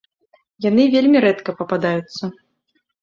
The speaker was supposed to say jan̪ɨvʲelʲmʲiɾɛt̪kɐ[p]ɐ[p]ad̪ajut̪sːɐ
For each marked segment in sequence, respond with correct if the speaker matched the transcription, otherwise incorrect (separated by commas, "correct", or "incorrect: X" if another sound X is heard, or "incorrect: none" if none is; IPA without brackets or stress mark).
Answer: correct, correct